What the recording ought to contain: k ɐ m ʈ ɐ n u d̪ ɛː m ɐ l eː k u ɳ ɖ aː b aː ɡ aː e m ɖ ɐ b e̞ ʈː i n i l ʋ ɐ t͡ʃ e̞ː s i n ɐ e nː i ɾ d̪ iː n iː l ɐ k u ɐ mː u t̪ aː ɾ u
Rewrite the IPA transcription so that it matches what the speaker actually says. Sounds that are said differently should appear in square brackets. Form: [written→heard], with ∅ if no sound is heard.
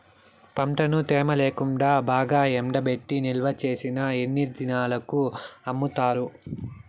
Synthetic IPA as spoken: [k→p] ɐ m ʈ ɐ n u [d̪→t̪] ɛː m ɐ l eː k u ɳ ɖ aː b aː ɡ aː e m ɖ ɐ b e̞ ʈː i n i l ʋ ɐ t͡ʃ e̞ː s i n ɐ e nː i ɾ d̪ [iː→i] n [iː→aː] l ɐ k u ɐ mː u t̪ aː ɾ u